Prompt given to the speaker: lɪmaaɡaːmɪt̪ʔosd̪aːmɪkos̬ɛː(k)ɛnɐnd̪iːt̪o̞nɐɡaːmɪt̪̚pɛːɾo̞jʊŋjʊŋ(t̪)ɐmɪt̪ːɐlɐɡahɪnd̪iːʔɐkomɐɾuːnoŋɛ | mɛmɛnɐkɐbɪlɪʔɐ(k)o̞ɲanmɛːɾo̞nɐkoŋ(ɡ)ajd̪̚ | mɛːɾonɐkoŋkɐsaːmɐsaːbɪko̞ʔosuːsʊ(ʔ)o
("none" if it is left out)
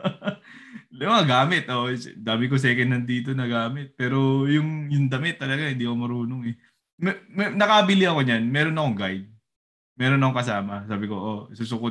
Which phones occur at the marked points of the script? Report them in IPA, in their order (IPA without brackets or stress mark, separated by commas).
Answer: k, d̪, k, ɡ, k